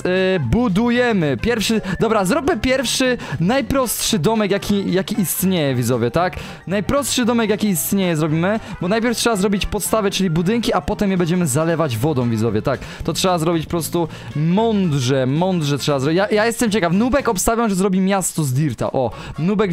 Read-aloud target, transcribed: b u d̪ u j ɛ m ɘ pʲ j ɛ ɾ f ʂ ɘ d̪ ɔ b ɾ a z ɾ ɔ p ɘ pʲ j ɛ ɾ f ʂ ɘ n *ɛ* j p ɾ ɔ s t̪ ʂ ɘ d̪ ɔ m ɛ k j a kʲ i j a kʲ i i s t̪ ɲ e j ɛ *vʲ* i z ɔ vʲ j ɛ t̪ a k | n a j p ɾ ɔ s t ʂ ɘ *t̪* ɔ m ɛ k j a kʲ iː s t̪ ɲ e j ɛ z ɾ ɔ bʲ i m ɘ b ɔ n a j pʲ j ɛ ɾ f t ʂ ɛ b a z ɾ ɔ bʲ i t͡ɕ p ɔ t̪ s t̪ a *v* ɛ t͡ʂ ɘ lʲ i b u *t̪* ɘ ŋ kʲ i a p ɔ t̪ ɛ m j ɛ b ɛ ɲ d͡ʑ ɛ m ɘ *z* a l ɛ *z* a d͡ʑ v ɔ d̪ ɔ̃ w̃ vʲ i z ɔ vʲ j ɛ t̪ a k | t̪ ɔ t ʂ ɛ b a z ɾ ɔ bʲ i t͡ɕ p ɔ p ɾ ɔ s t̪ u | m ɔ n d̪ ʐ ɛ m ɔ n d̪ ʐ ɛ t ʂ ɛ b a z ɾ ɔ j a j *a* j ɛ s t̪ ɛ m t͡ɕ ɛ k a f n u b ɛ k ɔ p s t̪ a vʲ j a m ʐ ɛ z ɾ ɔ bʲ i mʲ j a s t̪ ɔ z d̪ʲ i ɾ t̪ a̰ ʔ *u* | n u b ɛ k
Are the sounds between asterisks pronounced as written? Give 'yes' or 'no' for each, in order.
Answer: no, yes, no, yes, no, yes, no, yes, no

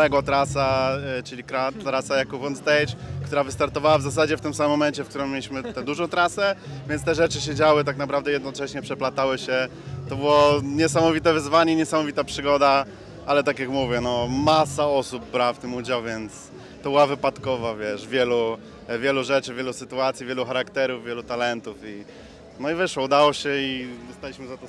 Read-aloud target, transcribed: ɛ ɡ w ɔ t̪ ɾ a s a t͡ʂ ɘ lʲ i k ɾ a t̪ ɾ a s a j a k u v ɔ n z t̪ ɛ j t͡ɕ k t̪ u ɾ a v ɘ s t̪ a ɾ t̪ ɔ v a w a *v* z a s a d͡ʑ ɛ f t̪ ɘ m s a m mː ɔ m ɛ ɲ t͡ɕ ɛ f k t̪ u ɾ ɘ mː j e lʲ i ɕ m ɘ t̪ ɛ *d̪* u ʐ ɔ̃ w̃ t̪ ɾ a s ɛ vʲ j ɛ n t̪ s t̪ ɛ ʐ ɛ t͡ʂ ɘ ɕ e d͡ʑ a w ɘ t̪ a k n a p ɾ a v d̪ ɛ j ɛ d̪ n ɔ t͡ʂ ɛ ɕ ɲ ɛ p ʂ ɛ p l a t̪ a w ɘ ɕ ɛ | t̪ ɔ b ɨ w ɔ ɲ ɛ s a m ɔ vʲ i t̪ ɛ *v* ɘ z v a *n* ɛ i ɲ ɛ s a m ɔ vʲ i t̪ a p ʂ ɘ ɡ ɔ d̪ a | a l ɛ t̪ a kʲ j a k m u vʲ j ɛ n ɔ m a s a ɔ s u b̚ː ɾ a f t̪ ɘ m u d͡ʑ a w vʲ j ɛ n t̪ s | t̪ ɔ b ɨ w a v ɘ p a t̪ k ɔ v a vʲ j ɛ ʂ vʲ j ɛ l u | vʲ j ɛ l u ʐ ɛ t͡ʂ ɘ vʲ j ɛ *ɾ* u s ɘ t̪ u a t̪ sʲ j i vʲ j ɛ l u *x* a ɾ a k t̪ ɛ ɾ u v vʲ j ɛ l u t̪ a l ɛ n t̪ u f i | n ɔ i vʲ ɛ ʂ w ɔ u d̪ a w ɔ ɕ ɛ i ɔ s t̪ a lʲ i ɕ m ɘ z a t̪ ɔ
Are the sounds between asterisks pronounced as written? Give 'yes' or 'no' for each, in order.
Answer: yes, yes, yes, no, no, yes

